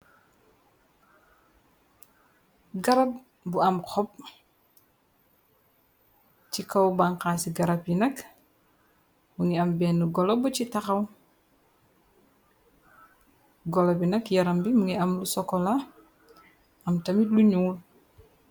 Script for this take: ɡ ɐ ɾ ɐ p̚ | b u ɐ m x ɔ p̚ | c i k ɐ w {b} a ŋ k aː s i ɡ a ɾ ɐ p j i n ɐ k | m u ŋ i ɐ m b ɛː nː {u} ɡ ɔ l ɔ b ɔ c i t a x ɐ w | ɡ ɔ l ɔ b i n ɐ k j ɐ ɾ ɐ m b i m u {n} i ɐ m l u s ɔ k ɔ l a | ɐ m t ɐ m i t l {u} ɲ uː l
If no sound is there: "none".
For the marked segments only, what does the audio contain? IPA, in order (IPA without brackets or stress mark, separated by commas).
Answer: b, u, ŋ, u